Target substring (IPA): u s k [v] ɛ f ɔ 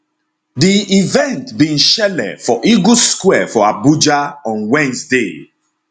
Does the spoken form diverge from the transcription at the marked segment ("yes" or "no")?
yes